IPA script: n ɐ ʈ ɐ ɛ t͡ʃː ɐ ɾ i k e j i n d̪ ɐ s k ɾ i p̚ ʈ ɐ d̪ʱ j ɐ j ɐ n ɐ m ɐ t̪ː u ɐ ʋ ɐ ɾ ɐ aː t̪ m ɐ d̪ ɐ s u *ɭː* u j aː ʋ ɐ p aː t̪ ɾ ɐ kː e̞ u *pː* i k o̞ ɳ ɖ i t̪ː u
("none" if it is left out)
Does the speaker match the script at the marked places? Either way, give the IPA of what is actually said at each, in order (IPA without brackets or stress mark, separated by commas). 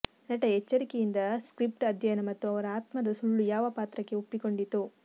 ɭː, pː